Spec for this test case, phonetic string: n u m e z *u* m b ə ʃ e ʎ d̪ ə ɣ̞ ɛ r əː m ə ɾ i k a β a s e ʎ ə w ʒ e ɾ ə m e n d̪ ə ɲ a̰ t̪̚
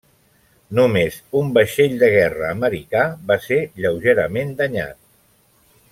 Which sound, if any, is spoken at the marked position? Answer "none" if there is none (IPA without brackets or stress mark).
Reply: u